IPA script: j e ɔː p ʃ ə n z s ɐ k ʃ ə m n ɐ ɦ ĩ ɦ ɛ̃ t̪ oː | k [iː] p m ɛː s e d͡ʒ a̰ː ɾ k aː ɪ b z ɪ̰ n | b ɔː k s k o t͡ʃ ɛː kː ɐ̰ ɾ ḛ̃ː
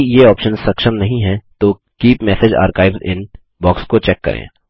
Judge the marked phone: correct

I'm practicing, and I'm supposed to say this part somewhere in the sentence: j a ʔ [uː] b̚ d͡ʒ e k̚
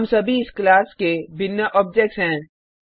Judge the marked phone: incorrect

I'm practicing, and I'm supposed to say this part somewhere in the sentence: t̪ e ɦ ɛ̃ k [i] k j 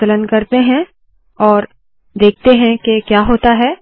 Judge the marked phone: incorrect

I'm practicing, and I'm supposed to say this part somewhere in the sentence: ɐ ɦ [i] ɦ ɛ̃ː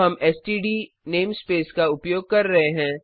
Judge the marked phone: incorrect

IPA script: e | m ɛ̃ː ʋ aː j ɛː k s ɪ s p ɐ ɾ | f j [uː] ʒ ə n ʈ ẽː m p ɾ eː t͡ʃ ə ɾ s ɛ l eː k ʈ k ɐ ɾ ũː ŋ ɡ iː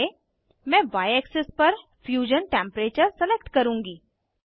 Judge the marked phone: correct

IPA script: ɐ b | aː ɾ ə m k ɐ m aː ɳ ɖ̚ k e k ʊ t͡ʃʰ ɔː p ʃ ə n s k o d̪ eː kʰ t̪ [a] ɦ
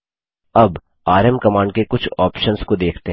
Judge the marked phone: incorrect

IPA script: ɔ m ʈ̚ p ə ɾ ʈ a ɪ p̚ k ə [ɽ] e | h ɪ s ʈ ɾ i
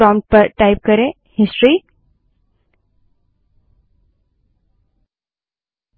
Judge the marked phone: incorrect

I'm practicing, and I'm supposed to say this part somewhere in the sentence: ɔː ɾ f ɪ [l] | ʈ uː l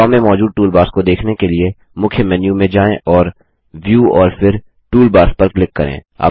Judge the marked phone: incorrect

